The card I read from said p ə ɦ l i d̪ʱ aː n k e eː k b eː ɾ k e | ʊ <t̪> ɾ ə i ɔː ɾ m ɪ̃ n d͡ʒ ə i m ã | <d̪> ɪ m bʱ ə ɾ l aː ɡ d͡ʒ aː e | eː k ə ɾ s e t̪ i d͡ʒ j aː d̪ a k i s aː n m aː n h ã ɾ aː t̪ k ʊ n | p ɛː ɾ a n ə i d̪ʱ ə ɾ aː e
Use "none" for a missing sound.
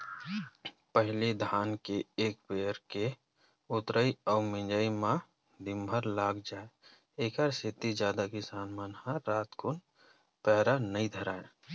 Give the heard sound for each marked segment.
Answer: t̪, d̪

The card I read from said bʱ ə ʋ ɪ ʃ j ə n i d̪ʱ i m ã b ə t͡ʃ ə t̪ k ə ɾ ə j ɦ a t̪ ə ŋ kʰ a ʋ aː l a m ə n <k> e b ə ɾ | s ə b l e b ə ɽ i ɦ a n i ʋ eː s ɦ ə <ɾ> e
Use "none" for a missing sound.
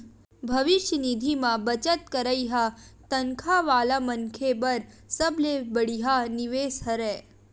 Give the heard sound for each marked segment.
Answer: kʰ, ɾ

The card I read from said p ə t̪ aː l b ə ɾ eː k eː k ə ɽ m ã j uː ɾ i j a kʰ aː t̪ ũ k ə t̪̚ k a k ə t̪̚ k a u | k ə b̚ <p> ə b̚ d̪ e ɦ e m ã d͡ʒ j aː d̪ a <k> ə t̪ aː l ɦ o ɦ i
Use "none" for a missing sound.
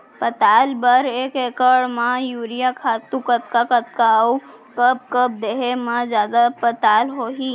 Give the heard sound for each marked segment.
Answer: k, p

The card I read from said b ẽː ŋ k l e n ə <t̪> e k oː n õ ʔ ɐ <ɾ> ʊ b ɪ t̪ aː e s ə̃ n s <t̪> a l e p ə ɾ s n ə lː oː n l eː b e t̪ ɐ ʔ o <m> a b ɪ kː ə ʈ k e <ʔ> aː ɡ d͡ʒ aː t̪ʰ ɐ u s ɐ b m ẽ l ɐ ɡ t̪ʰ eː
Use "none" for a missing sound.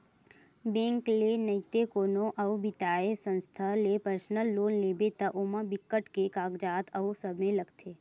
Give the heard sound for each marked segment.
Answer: t̪, none, t̪ʰ, m, k

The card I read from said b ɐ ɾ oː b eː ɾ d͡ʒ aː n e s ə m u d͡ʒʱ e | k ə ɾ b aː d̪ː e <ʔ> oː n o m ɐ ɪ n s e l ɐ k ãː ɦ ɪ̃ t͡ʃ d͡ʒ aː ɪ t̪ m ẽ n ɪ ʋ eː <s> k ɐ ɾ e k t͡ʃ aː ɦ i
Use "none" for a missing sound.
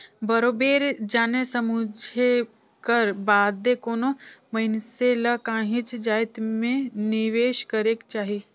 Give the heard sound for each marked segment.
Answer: k, ʃ

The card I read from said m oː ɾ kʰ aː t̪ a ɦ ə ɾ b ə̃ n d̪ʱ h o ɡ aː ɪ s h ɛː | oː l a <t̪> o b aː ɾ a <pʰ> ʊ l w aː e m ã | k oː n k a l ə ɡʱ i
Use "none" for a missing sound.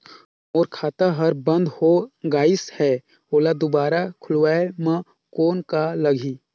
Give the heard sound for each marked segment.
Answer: d̪, kʰ

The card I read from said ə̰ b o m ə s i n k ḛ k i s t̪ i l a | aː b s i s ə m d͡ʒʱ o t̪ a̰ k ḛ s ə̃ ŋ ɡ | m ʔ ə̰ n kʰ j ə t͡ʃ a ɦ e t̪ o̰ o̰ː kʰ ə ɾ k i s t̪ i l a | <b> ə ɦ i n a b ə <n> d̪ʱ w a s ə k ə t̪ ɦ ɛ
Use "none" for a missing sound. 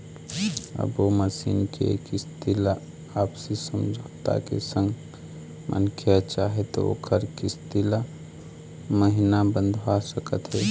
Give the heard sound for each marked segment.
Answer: m, n

